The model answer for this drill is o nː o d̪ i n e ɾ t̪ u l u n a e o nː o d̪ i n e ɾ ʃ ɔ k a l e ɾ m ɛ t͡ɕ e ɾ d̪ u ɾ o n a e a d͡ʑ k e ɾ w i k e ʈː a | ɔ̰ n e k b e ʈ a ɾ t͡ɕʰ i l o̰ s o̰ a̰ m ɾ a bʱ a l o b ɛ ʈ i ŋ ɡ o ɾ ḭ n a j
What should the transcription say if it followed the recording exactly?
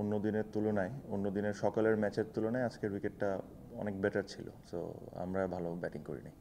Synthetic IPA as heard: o nː o d̪ i n e ɾ t̪ u l o n a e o nː o d̪ i n e ɾ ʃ ɔ k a l e ɾ m ɛ t͡ɕ e ɾ t̪ u l o n a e a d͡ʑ k e ɾ w i k e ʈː a | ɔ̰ n e k b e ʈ a ɾ t͡ɕʰ i l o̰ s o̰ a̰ m ɾ a bʱ a l o b ɛ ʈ i ŋ k o ɾ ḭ n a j